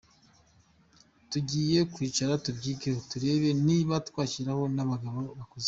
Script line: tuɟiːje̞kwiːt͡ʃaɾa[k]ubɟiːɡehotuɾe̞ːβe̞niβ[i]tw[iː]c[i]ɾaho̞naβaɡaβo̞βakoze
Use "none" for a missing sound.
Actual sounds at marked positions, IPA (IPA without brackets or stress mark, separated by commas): t, a, aː, i